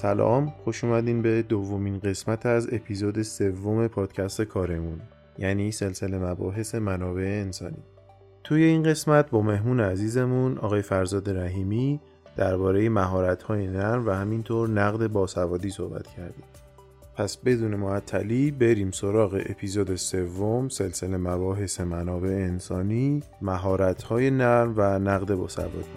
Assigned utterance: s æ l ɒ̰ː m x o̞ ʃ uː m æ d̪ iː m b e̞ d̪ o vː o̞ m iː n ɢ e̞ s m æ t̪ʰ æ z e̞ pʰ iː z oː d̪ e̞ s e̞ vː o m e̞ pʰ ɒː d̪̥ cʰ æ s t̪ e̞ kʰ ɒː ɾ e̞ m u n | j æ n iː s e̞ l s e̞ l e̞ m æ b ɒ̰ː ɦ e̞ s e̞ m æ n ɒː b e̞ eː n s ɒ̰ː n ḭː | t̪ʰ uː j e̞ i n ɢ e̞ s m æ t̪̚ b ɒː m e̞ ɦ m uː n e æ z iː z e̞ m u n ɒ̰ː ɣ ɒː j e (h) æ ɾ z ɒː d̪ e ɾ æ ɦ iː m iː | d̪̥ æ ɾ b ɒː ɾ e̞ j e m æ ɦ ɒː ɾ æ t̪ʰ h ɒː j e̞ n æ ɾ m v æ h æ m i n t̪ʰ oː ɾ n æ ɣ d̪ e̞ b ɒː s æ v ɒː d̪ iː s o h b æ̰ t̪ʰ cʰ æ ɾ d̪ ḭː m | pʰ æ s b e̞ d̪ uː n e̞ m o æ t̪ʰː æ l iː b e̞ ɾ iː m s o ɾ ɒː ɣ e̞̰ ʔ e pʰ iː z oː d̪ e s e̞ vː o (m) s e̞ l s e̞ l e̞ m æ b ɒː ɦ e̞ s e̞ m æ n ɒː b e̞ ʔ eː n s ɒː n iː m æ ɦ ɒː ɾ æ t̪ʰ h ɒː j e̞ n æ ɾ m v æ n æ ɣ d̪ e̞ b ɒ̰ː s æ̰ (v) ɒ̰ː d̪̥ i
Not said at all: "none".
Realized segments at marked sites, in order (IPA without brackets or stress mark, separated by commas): f, m, v